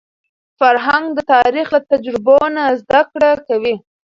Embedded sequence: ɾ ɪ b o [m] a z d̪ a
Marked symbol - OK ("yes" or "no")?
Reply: no